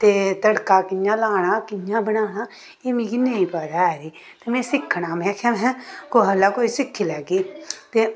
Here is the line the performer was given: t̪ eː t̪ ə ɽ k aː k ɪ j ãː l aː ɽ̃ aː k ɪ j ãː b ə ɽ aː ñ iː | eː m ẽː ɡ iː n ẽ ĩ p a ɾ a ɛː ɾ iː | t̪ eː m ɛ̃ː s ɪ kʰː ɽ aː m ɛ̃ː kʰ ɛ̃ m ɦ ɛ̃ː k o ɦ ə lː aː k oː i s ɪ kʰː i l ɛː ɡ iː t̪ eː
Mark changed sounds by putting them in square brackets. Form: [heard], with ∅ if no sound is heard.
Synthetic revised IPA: t̪ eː t̪ ə ɽ k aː k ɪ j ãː l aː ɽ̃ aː k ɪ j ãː b ə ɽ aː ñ [aː] | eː m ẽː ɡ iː n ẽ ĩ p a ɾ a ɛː ɾ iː | t̪ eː m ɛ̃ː s ɪ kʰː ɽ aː m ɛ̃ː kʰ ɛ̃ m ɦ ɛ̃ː k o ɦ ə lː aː k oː i s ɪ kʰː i l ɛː ɡ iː t̪ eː